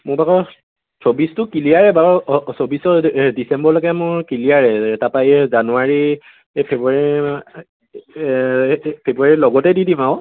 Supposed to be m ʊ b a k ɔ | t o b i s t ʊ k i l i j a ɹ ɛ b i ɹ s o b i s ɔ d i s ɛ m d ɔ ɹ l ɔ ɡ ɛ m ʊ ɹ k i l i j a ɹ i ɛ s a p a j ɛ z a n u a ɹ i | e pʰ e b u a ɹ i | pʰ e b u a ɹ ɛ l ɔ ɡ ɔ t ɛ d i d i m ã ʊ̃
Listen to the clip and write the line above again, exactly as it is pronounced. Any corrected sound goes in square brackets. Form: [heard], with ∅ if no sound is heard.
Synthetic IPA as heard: m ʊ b a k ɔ | [s] o b i s t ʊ k i l i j a ɹ ɛ b [a] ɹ s o b i s ɔ d i s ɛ m [b] ɔ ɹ l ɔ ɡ ɛ m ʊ ɹ k i l i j a ɹ [ɛ] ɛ [t] a p a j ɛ z a n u a ɹ i | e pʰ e b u a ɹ i | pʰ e b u a ɹ [i] l ɔ ɡ ɔ t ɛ d i d i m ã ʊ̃